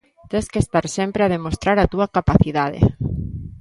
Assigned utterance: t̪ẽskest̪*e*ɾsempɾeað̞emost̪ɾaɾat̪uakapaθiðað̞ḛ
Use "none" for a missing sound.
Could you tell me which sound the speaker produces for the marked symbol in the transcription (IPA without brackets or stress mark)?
a